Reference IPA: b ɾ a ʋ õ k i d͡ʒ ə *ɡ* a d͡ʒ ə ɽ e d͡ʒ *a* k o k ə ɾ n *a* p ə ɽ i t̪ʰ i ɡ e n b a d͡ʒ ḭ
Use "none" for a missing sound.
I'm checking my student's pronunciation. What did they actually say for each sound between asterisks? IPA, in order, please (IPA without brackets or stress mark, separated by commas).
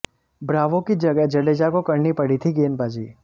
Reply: ɡ, a, i